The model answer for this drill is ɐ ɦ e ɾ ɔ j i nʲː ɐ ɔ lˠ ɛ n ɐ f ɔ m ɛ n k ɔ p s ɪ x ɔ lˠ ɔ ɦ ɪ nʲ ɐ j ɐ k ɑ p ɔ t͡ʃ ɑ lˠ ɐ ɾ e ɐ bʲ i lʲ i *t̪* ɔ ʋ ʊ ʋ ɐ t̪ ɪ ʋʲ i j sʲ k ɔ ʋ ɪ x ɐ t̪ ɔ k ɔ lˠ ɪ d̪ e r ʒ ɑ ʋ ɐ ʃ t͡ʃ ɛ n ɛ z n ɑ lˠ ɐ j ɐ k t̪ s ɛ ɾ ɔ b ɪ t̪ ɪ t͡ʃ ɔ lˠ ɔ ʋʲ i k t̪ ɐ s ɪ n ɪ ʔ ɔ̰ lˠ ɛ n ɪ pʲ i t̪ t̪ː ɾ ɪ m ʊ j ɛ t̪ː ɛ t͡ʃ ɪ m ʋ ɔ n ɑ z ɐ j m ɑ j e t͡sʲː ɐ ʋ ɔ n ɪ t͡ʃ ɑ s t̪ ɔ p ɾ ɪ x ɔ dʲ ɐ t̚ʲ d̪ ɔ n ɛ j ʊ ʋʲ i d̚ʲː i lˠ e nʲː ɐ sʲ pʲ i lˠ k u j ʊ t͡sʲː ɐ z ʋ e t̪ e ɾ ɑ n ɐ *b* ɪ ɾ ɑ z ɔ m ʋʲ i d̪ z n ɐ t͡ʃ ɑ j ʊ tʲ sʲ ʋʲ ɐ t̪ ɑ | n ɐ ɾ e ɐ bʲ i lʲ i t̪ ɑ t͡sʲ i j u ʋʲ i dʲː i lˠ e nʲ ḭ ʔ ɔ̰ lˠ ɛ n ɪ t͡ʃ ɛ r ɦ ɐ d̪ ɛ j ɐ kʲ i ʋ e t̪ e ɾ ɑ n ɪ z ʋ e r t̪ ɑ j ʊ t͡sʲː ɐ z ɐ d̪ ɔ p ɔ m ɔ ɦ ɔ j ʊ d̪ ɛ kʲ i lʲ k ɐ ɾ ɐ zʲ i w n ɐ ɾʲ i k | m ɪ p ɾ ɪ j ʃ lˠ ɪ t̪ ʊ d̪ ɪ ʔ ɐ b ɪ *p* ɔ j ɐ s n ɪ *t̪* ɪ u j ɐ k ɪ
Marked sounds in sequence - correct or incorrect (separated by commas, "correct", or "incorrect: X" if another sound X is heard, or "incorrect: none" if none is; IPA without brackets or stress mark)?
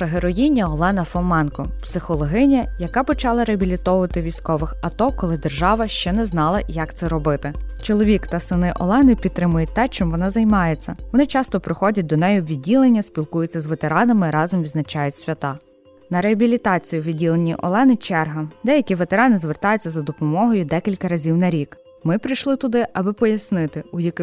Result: correct, incorrect: m, correct, correct